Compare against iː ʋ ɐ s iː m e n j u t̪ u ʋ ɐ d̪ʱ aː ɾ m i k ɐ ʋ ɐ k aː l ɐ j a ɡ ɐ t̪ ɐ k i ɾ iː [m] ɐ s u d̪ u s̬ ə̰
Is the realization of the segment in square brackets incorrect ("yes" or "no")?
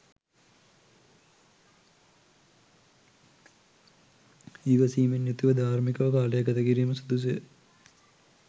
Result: no